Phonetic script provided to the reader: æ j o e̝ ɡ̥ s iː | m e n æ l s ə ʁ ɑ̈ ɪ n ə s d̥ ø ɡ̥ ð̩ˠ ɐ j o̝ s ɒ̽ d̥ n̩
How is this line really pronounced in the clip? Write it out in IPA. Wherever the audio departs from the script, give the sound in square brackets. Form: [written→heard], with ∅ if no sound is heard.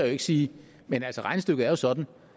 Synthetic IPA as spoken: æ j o e̝ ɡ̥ s iː | m e n æ l s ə ʁ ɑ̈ ɪ n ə s d̥ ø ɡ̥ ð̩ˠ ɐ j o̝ s ɒ̽ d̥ n̩